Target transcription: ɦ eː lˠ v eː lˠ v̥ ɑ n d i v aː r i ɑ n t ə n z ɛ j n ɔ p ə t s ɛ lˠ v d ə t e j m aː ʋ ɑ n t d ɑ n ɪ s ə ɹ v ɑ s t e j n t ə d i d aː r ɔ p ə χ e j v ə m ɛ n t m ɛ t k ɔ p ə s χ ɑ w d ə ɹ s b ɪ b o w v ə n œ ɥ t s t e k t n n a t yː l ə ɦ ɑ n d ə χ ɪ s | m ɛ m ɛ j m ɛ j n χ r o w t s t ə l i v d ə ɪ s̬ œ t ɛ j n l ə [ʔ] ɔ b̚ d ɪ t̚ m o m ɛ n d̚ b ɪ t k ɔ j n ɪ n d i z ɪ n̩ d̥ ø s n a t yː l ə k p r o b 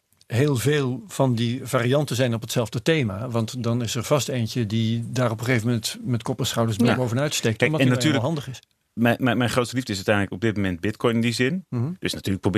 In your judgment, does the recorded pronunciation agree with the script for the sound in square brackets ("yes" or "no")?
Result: no